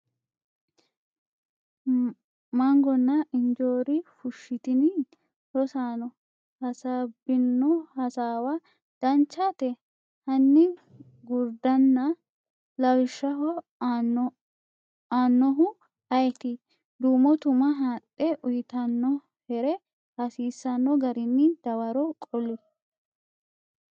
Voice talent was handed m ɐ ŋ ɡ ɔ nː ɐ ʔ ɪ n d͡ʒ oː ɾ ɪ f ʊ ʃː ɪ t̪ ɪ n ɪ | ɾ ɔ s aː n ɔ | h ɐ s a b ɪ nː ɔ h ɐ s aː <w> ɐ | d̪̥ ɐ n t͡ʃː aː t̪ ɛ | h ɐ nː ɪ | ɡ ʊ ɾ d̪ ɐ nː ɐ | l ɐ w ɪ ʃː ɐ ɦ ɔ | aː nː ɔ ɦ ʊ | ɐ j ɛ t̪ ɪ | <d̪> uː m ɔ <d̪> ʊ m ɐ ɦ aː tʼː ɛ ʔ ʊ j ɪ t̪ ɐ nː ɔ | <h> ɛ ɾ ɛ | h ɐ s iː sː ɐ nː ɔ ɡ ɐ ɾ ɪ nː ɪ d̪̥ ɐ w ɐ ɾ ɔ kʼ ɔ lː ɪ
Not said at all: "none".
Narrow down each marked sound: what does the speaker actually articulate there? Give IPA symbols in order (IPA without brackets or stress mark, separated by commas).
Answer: w, d̪, t̪, h